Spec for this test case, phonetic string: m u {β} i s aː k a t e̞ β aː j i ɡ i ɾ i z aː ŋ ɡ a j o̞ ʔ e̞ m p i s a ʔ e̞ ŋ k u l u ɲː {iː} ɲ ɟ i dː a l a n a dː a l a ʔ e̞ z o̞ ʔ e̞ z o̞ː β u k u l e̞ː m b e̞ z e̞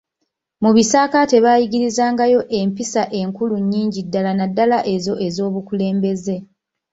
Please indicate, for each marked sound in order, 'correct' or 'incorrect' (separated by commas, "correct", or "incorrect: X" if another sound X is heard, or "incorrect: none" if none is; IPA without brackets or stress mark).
correct, correct